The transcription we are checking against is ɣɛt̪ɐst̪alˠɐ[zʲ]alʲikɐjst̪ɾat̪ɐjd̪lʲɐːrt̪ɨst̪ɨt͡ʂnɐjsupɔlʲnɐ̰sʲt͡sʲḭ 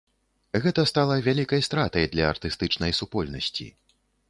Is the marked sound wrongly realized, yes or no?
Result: yes